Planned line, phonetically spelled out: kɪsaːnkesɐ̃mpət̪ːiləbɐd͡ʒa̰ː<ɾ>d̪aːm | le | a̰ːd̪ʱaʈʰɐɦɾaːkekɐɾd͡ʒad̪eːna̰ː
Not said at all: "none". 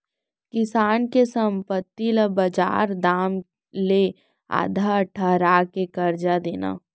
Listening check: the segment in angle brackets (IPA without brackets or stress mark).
ɾ